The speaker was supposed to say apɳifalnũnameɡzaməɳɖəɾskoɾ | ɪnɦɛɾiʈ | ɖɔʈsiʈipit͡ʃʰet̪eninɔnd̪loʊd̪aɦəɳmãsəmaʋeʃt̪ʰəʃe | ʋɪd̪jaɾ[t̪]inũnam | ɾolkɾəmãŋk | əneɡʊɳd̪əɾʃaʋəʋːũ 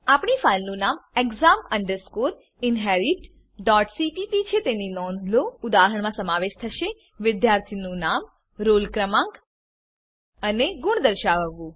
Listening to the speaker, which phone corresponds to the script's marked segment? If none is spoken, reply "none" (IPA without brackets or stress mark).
t̪ʰ